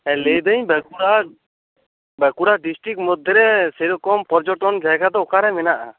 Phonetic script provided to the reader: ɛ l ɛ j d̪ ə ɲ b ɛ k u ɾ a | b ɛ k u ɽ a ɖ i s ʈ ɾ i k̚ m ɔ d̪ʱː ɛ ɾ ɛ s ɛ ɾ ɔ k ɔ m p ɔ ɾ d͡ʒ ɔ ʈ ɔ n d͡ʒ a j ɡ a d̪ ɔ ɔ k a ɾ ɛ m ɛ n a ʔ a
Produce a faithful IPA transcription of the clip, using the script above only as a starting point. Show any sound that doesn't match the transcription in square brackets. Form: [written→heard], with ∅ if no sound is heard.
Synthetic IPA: ɛ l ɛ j d̪ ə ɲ b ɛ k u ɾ a | b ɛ k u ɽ a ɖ i s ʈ ɾ i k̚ m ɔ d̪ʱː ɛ ɾ ɛ s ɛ ɾ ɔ k ɔ m p ɔ ɾ d͡ʒ ɔ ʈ ɔ n d͡ʒ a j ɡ a d̪ ɔ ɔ k a ɾ ɛ m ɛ n a ʔ a